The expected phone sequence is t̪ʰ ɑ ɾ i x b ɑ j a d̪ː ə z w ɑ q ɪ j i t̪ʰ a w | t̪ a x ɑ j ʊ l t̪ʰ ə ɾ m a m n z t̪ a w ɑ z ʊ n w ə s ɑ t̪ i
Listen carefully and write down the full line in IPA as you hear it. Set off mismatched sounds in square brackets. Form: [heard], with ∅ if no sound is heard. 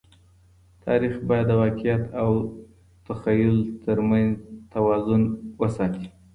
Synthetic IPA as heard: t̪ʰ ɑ ɾ i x b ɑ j a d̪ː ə [∅] w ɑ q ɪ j [a] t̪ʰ a w | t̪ a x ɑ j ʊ l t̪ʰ ə ɾ m a [∅] n z t̪ a w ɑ z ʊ n w ə s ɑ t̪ i